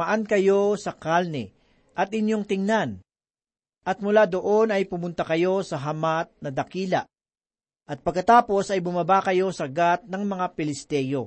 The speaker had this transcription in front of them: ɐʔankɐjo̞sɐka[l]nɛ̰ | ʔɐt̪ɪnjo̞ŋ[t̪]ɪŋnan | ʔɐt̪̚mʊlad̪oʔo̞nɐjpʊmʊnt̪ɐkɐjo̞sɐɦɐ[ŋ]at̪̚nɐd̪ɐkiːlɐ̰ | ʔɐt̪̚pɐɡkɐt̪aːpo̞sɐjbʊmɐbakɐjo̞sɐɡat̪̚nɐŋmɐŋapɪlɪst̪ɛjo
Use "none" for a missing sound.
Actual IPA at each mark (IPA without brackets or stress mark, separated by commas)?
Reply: l, t̪, m